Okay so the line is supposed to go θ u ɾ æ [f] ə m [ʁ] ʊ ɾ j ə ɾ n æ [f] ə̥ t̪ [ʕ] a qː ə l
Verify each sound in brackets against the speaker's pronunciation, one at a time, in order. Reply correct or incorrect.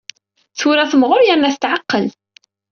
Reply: incorrect, correct, incorrect, correct

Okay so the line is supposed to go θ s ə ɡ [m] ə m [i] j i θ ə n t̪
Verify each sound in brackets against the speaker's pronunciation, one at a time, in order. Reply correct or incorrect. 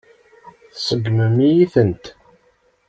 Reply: correct, correct

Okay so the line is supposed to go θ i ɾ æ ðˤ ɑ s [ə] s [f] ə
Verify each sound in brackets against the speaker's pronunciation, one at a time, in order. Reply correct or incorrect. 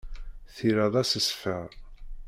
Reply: correct, correct

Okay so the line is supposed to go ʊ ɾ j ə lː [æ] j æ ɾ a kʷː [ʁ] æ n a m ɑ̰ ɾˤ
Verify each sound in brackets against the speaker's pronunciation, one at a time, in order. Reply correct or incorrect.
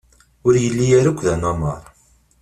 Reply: incorrect, incorrect

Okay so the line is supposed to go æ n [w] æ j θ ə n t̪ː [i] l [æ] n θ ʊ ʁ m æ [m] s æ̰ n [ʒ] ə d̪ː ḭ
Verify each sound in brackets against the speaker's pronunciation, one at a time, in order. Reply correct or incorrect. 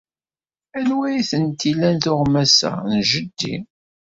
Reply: correct, correct, correct, incorrect, correct

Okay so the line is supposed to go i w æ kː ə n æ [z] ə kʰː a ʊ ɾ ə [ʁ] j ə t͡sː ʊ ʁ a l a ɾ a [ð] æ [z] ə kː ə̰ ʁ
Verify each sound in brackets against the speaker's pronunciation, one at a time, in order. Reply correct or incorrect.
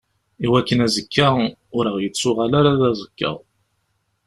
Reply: correct, correct, correct, correct

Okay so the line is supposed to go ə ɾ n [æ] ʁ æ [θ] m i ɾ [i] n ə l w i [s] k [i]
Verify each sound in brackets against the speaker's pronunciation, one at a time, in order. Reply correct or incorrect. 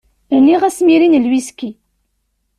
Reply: incorrect, incorrect, correct, correct, correct

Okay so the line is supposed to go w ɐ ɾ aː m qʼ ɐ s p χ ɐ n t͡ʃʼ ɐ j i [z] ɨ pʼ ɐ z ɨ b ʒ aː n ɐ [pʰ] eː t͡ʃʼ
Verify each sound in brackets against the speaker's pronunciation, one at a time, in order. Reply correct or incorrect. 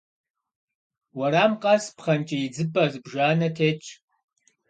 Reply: incorrect, incorrect

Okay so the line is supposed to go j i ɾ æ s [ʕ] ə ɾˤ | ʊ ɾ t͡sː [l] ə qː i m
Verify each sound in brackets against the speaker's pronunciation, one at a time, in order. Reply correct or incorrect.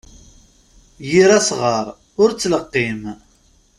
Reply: incorrect, correct

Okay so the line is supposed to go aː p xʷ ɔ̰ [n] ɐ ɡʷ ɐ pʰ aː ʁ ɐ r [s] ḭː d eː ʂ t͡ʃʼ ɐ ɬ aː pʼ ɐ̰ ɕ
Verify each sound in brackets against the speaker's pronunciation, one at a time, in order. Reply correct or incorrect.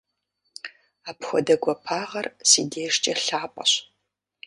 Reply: incorrect, correct

